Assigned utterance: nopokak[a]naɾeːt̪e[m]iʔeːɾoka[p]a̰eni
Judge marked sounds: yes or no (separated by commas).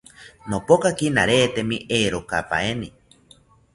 no, yes, yes